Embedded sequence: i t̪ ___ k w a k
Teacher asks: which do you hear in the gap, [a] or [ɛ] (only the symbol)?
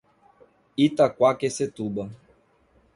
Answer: a